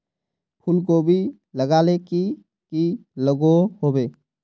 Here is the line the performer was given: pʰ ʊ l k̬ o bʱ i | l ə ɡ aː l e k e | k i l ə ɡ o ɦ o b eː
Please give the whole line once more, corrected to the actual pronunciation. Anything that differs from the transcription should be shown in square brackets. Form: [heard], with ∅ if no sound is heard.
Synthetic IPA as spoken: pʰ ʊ l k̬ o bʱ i | l ə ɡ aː l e k [i] | k i l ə ɡ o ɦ o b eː